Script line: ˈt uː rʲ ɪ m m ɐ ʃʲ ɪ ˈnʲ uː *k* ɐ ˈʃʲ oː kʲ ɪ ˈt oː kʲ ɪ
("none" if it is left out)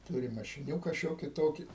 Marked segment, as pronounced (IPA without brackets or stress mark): k